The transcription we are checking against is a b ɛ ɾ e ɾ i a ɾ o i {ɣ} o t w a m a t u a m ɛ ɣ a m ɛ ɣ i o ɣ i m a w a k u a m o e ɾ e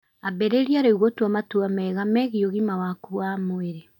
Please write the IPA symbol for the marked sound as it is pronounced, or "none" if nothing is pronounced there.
ɣ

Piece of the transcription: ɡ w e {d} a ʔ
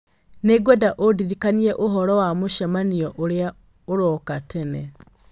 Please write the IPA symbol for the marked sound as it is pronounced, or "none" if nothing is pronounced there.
d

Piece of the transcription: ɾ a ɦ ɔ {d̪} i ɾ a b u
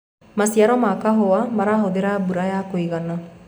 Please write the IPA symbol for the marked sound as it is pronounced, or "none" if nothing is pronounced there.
d̪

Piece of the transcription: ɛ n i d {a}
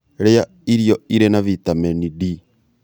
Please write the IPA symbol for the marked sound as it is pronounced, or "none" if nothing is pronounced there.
i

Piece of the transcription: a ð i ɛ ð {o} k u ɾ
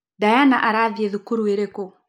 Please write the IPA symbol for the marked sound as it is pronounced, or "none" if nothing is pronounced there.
u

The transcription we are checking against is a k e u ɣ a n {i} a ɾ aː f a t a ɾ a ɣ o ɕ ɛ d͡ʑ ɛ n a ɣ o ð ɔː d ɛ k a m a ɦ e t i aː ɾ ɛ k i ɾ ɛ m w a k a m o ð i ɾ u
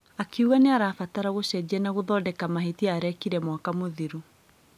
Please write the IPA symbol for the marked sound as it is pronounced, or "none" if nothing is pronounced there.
e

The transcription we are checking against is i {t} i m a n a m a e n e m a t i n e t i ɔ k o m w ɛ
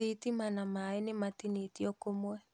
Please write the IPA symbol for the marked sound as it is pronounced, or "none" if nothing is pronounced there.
t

